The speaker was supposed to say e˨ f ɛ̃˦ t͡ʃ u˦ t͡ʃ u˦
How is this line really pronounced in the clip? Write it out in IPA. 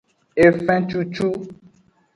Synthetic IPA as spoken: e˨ f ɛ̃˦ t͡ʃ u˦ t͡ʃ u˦